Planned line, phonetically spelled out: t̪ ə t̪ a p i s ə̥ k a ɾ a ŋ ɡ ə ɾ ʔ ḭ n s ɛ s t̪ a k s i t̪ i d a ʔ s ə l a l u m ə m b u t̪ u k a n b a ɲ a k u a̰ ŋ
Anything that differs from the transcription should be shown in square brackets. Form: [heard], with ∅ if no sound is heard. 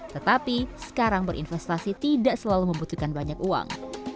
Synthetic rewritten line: t̪ ə t̪ a p i s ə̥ k a ɾ a ŋ [b] ə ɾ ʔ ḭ n [f] ɛ s t̪ a [∅] s i t̪ i d a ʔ s ə l a l u m ə m b u t̪ u k a n b a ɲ a k u a̰ ŋ

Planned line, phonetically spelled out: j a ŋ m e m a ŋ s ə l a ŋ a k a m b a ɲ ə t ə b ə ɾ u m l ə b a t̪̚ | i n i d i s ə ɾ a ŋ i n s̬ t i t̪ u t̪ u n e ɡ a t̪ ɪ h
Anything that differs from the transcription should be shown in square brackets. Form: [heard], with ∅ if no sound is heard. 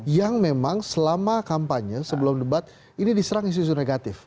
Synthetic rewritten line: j a ŋ m e m a ŋ s ə l a [m] a k a m [p] a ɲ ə [s] ə b ə [l] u m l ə b a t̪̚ | i n i d i s ə ɾ a ŋ i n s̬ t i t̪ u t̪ u n e ɡ a t̪ ɪ [f]

